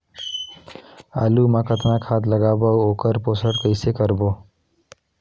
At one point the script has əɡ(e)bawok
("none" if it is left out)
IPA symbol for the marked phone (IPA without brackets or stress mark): a